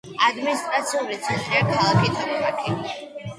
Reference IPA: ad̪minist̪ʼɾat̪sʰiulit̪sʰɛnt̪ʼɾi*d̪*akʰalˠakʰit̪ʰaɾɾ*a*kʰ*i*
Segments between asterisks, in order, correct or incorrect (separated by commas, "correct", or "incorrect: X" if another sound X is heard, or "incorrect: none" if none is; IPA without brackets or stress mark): incorrect: none, correct, correct